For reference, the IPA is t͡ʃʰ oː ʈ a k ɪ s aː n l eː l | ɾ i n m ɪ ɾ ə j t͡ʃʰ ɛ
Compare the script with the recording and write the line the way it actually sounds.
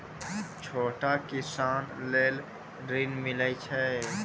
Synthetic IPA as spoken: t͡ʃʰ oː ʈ a k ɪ s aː n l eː l | ɾ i n m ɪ l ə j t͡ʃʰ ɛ